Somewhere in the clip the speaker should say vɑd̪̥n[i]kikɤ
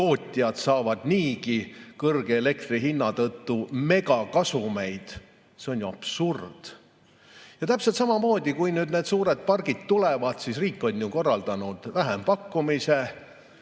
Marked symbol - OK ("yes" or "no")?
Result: no